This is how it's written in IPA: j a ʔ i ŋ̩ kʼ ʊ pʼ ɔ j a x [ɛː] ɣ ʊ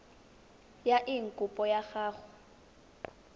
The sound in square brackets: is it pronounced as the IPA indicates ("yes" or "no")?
no